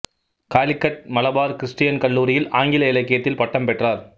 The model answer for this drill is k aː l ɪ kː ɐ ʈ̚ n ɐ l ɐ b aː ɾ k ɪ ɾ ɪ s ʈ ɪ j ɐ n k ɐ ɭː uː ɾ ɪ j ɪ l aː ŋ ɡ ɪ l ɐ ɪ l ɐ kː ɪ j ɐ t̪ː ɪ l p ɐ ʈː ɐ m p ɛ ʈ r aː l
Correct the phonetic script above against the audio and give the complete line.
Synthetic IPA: k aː l ɪ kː ɐ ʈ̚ m ɐ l ɐ b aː ɾ k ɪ ɾ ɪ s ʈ ɪ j ɐ n k ɐ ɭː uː ɾ ɪ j ɪ l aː ŋ ɡ ɪ l ɐ ɪ l ɐ kː ɪ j ɐ t̪ː ɪ l p ɐ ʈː ɐ m p ɛ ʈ r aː ɾ